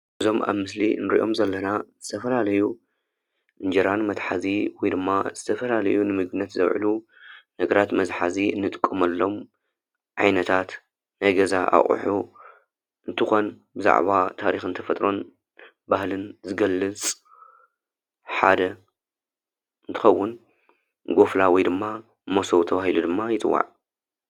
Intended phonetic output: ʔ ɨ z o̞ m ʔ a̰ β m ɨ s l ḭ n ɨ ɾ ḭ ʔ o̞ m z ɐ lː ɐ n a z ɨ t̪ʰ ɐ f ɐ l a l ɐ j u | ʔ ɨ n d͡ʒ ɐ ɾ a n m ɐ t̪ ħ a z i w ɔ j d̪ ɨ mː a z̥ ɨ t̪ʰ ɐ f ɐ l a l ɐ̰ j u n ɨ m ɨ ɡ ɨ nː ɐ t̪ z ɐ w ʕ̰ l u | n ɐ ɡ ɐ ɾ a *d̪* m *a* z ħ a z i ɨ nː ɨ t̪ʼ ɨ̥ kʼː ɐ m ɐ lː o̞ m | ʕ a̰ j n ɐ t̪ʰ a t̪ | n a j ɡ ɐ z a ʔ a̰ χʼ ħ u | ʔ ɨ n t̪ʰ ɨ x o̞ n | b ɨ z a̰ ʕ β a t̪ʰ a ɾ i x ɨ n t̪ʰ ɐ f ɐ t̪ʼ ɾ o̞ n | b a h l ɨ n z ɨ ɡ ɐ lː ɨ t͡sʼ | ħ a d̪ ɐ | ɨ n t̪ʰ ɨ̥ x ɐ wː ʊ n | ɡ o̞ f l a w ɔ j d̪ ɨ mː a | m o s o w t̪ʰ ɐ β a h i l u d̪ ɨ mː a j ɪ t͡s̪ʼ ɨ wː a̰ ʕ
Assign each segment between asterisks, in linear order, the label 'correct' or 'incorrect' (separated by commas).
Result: incorrect, incorrect